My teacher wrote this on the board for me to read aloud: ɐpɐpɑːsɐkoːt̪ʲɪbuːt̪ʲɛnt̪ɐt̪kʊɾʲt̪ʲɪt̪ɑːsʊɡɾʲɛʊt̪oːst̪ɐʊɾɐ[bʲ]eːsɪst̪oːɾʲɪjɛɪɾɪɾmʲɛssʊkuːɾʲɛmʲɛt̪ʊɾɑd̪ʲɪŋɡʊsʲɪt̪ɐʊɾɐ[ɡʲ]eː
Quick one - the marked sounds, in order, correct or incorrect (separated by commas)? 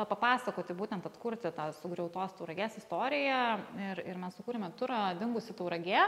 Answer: incorrect, correct